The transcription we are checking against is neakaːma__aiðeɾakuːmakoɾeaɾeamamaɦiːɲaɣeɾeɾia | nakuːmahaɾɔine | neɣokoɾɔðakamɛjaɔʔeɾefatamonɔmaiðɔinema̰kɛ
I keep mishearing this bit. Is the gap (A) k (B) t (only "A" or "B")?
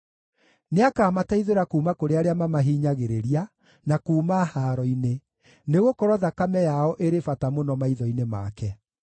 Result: B